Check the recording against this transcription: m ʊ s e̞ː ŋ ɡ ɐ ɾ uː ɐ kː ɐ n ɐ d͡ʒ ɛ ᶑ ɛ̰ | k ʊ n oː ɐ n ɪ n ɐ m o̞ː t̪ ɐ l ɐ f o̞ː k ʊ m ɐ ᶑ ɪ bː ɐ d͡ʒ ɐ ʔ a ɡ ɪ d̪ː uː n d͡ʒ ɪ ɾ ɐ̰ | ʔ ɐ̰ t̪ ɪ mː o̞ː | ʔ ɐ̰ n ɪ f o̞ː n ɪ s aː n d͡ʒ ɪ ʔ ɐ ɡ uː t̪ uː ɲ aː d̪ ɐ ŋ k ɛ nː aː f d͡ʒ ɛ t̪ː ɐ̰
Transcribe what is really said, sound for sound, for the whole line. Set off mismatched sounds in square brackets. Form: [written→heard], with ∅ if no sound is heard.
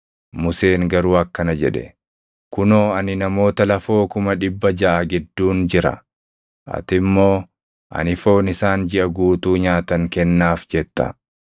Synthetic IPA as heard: m ʊ s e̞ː ŋ ɡ ɐ ɾ uː ɐ kː ɐ n ɐ d͡ʒ ɛ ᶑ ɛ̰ | k ʊ n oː ɐ n ɪ n ɐ m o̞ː t̪ ɐ l ɐ f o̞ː k ʊ m ɐ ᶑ ɪ bː ɐ d͡ʒ ɐ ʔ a ɡ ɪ d̪ː uː n d͡ʒ ɪ ɾ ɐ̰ | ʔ ɐ̰ t̪ ɪ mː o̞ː | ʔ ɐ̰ n ɪ f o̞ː n ɪ s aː n d͡ʒ ɪ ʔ ɐ ɡ uː t̪ uː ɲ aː [d̪→t̪] ɐ ŋ k ɛ nː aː f d͡ʒ ɛ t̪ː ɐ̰